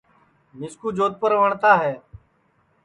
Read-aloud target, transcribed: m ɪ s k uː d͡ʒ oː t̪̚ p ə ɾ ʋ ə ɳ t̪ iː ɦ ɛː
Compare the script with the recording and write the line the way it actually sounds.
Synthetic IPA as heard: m ɪ s k uː d͡ʒ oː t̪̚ p ə ɾ ʋ ə ɳ t̪ aː ɦ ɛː